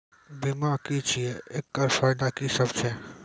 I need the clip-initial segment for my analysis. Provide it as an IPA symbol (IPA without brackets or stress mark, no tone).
b